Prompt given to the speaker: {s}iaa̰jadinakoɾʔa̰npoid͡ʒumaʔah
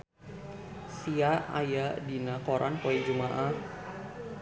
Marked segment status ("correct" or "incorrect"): correct